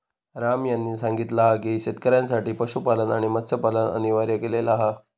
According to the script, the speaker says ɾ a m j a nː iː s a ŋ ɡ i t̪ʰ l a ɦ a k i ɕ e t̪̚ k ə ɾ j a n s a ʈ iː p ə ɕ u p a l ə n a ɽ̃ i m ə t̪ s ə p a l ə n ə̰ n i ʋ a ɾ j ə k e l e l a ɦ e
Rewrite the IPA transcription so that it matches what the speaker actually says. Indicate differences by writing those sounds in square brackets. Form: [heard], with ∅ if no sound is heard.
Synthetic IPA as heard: ɾ a m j a nː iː s a ŋ ɡ i [t̪] l a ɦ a k i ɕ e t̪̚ k ə ɾ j a n s a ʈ iː p ə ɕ u p a l ə n a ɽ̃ i m ə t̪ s ə p a l ə n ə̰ n i ʋ a ɾ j ə k e l e l a ɦ [a]